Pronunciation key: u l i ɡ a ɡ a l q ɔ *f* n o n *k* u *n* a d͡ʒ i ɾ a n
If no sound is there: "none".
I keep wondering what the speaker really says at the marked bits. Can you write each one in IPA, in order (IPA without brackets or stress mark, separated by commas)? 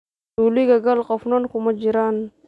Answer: f, k, m